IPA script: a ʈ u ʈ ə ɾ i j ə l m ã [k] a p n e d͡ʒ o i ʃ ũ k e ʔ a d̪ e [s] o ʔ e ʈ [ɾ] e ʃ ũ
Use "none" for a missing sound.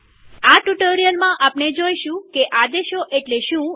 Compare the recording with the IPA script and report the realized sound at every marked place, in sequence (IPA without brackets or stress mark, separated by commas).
ʔ, ʃ, l